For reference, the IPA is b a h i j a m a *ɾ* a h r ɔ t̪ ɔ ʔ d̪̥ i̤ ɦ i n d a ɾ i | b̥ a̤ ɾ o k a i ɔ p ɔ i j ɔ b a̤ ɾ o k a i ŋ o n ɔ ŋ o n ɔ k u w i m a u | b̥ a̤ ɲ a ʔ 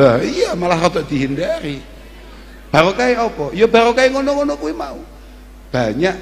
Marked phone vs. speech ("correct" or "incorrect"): incorrect